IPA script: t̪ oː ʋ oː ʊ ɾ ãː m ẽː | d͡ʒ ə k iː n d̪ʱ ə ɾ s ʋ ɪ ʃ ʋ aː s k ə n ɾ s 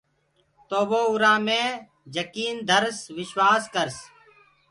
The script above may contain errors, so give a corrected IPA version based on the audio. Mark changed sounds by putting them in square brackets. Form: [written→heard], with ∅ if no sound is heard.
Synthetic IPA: t̪ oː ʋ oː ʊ ɾ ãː m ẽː | d͡ʒ ə k iː n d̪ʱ ə ɾ s ʋ ɪ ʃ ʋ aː s k ə [n→∅] ɾ s